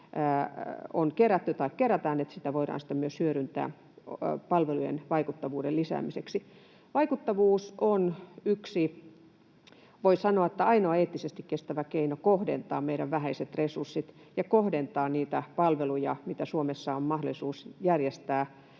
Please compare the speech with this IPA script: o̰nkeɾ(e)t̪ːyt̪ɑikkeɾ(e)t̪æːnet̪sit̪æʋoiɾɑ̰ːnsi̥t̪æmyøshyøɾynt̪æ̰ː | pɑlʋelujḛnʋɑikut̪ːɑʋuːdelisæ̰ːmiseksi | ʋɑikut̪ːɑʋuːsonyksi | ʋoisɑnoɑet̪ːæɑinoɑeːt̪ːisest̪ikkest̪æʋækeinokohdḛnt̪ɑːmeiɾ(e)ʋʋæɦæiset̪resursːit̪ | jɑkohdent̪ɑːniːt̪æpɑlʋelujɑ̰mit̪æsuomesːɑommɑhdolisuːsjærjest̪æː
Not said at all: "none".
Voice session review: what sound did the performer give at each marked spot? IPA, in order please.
æ, æ, æ

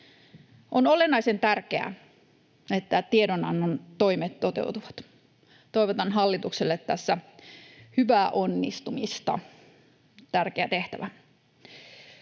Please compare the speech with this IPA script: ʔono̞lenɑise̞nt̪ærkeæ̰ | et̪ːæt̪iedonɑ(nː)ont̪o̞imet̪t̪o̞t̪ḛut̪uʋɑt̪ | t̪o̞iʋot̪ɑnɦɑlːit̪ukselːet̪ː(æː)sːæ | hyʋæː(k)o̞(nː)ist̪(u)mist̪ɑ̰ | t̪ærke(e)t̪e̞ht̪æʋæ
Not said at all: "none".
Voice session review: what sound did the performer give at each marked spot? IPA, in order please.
nː, æ, ʔ, nː, u, æ

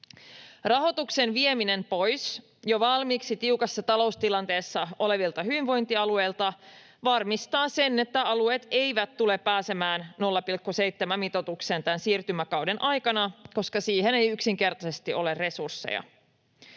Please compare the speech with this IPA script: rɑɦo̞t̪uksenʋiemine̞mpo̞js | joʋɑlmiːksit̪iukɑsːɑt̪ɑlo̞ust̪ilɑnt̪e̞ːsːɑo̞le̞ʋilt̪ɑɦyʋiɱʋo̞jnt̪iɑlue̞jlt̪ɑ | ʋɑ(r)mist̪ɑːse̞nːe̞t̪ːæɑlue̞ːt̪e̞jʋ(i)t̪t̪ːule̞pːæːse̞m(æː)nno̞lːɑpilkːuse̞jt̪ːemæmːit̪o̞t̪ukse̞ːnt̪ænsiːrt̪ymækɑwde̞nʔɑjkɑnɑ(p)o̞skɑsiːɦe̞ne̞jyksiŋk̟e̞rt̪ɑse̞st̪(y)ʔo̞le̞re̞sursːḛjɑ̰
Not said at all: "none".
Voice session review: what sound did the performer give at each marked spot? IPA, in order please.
r, æ, æː, k, i

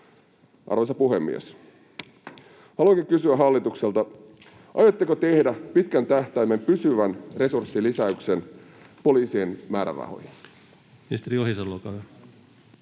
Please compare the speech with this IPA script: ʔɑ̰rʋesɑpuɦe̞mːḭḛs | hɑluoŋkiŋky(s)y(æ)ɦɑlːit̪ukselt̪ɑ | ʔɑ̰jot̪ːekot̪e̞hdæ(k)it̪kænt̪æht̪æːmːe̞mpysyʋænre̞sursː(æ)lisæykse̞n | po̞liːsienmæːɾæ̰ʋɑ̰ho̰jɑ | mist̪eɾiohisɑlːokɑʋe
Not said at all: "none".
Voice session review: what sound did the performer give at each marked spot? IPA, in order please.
s, æ, p, i

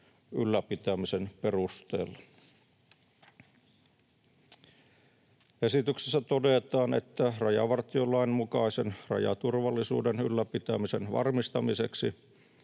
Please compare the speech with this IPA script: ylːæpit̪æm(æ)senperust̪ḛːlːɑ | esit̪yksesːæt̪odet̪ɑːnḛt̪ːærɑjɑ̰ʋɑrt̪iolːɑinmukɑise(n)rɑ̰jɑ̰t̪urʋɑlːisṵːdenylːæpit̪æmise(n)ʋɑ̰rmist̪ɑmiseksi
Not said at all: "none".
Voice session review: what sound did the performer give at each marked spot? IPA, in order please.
i, n, n

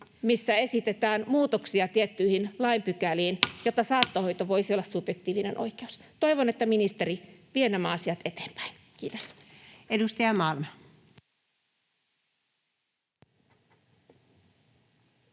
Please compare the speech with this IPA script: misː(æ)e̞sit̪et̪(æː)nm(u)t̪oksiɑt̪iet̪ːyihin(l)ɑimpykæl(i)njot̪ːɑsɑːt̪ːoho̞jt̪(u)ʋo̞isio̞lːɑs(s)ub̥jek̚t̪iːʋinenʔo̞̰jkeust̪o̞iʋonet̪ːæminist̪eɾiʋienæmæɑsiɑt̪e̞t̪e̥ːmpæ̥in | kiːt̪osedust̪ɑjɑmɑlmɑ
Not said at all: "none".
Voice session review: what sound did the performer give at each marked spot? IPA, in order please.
æ, æː, uː, l, iː, o, s

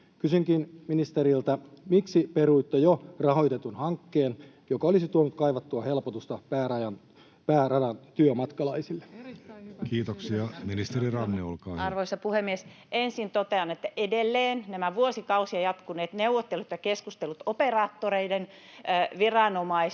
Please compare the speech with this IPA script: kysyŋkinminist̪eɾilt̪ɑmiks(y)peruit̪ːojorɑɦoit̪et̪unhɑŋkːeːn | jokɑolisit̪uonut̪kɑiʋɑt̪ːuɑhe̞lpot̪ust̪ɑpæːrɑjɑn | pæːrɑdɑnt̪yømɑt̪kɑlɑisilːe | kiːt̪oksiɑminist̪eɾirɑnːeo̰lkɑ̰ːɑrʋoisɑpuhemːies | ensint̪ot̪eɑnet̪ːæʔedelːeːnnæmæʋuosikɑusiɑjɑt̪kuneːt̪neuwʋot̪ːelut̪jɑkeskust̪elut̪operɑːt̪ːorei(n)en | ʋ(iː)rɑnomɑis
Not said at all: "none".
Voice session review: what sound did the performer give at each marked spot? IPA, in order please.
i, d, i

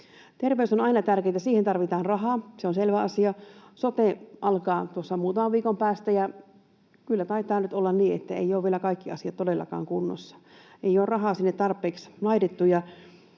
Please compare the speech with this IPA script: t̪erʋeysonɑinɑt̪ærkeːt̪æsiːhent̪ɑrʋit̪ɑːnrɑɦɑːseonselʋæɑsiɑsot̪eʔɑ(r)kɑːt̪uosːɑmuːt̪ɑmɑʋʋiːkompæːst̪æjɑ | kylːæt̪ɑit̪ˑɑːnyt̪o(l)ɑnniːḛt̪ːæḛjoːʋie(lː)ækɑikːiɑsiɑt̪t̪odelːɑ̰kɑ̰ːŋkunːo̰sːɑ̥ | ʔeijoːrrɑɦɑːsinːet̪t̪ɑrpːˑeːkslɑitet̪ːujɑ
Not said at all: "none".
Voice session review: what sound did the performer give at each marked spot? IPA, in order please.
l, lː, l

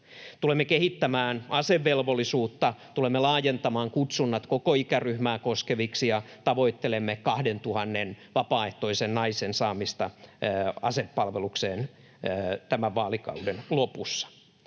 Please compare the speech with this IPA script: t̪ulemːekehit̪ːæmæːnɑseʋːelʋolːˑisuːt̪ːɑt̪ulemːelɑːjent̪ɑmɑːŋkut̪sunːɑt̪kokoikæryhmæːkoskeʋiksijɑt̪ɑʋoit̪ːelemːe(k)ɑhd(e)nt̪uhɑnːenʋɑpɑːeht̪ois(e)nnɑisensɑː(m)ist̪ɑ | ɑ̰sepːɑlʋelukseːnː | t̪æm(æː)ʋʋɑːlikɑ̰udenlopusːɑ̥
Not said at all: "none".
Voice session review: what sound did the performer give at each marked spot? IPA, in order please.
k, e, e, m, æ

